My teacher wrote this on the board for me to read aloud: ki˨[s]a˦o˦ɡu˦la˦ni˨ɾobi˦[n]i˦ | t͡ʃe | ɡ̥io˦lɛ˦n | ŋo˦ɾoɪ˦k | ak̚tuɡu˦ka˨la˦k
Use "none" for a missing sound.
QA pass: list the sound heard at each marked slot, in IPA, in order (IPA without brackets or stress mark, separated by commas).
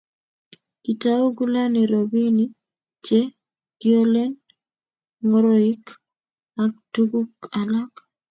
t, n